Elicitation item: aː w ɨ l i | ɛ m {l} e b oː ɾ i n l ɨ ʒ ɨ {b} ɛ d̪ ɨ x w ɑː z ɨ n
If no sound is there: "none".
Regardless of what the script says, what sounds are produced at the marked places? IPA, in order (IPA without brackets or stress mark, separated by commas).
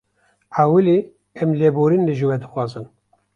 l, w